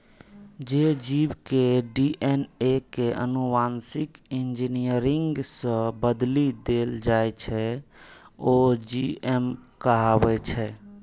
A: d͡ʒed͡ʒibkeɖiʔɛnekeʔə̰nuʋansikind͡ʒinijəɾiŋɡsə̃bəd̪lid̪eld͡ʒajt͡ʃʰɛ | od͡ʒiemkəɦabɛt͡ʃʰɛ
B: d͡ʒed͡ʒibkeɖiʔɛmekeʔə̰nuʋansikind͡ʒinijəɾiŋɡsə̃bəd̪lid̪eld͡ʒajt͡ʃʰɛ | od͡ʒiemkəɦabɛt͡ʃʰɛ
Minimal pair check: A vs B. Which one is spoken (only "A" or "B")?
A